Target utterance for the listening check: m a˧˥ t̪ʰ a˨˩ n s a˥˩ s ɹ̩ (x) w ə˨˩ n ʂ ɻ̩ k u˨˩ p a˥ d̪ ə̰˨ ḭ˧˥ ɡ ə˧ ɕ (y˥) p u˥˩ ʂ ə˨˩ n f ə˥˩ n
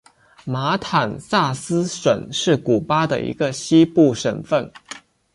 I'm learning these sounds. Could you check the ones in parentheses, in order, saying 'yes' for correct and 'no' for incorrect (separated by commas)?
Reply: no, no